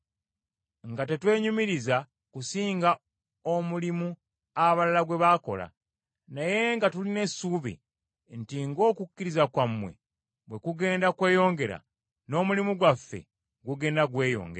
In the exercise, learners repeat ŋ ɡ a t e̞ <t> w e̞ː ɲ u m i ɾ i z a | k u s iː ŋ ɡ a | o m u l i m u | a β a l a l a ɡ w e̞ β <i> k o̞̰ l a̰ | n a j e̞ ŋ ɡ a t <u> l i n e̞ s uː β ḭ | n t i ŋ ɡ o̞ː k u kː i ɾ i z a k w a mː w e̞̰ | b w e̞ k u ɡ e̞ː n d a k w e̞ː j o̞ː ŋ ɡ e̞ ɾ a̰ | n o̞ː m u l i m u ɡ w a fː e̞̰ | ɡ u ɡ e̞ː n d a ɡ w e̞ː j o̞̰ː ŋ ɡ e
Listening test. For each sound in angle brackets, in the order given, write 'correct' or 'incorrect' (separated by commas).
correct, incorrect, correct